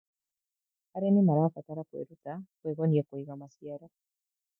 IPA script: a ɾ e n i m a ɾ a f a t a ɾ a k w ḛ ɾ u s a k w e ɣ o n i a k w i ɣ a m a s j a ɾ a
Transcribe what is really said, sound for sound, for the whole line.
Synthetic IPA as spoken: a ɾ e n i m a ɾ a f a t a ɾ a k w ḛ ɾ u t a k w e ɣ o n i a k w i ɣ a m a s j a ɾ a